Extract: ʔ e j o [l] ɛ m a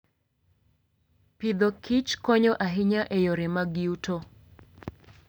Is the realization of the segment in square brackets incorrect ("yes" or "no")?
yes